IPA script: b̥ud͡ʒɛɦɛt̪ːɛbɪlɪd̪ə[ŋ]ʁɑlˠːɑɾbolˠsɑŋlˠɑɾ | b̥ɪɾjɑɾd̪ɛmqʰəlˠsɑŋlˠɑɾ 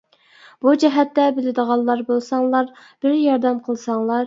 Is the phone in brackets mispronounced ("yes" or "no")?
yes